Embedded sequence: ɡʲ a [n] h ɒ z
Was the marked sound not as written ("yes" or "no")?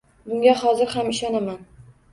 yes